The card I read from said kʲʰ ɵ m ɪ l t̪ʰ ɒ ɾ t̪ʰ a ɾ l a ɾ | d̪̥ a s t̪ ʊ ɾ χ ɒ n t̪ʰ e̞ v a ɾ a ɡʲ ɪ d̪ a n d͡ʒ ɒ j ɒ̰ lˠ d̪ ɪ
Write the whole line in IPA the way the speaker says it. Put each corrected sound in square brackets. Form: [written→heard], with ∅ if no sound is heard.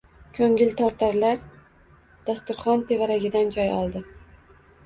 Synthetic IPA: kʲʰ ɵ [m→ŋ] ɪ l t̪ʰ ɒ ɾ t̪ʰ a ɾ l a ɾ | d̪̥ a s t̪ ʊ ɾ χ ɒ n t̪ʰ e̞ v a ɾ a ɡʲ ɪ d̪ a n d͡ʒ ɒ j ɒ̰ lˠ d̪ ɪ